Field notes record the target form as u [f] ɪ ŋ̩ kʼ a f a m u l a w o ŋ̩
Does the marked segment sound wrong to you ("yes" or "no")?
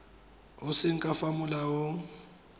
yes